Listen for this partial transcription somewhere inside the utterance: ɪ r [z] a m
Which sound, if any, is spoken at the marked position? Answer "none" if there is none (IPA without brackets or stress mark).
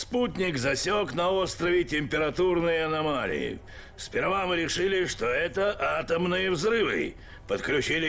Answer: v